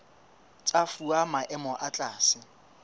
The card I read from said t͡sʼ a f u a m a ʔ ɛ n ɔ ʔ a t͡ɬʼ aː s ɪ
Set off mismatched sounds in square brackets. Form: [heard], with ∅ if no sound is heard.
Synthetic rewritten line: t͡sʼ a f u a m a ʔ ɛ [m] ɔ ʔ a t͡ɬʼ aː s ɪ